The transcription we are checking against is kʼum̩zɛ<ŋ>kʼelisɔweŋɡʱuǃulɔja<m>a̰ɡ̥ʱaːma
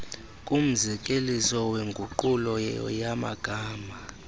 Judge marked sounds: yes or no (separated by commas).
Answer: no, yes